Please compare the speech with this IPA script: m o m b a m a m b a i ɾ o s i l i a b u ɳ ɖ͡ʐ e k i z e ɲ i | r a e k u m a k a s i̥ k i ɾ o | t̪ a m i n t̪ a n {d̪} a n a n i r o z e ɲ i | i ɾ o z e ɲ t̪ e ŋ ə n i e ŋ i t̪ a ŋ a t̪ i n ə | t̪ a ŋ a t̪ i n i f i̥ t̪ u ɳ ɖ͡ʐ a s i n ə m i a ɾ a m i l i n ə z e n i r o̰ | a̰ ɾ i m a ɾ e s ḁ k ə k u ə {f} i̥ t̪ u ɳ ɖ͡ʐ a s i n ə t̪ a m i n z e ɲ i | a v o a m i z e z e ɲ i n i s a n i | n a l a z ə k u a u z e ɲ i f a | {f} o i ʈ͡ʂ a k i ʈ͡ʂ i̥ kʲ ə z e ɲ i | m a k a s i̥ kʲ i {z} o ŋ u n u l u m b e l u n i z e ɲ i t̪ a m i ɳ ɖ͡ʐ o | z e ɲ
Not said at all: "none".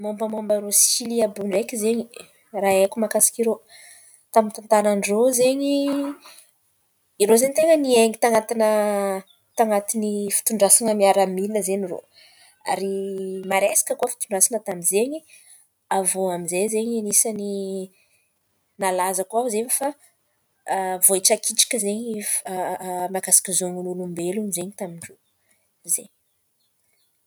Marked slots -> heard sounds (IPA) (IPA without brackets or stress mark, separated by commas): t̪, f, v, z